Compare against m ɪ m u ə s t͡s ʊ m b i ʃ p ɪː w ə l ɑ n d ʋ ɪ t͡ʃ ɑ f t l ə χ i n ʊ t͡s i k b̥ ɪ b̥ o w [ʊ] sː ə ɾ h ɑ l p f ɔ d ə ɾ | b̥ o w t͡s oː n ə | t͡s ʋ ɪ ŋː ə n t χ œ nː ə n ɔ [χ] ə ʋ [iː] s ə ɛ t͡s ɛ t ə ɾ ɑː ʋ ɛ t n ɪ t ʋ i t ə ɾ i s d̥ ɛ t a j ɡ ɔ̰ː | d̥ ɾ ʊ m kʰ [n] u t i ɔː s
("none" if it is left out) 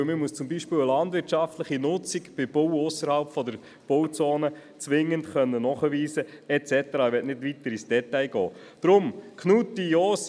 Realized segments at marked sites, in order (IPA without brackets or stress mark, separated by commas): ʊ, χ, iː, n